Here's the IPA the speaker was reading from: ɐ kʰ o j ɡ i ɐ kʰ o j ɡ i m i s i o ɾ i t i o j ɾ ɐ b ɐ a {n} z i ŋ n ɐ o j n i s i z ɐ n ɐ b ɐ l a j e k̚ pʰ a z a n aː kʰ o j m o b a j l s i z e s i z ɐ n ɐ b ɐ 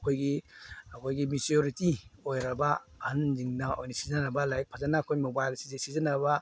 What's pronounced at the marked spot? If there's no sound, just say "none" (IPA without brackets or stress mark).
n